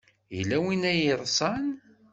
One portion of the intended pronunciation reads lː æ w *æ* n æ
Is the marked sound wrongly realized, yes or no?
yes